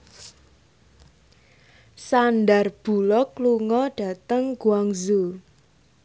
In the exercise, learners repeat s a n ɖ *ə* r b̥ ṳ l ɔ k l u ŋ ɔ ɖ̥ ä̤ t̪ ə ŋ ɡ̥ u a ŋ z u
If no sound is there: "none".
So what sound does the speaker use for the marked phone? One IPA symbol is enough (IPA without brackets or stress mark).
a